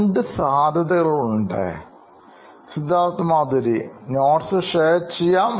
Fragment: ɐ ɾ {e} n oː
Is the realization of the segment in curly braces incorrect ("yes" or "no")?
yes